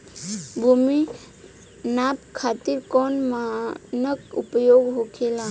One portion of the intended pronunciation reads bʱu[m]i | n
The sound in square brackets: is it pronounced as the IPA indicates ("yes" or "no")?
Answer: yes